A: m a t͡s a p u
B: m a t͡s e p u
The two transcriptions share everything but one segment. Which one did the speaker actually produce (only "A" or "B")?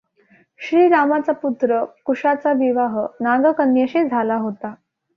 A